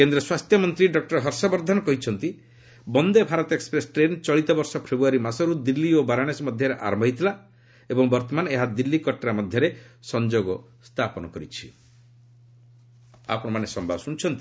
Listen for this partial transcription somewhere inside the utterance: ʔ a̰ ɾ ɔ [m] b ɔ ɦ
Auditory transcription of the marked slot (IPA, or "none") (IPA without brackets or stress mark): m